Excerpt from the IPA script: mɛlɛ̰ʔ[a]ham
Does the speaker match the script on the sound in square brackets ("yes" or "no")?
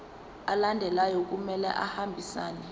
yes